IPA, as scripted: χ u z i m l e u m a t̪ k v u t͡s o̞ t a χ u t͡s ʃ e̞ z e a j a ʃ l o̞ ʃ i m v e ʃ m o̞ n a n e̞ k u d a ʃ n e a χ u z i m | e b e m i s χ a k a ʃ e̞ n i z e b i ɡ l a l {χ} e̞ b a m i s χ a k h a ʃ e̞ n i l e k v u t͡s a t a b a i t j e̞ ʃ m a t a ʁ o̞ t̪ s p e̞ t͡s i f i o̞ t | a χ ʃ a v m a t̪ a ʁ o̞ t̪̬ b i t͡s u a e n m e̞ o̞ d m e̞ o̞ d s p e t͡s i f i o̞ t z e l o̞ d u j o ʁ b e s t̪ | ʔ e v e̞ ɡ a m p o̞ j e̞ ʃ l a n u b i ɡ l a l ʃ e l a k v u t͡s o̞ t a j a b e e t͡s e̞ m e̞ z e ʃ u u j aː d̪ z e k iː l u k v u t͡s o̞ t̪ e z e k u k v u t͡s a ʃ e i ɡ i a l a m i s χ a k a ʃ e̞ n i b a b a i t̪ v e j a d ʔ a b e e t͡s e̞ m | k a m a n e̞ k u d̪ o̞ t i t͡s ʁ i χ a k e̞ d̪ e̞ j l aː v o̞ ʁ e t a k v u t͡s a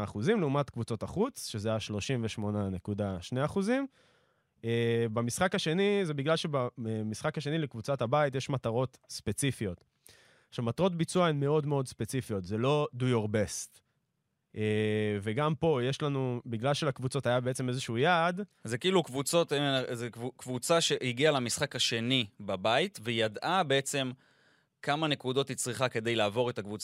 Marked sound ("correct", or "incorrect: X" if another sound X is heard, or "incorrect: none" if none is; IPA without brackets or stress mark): incorrect: ʃ